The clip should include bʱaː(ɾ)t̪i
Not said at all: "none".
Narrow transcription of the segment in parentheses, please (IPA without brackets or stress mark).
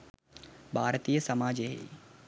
ɾ